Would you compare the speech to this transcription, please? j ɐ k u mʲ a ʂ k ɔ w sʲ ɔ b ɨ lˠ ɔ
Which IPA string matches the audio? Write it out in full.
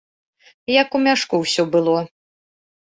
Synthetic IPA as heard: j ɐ k u mʲ a ʂ k u w sʲ ɔ b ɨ lˠ ɔ